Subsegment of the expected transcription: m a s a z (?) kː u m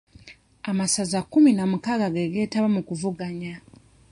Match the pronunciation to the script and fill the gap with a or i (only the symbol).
a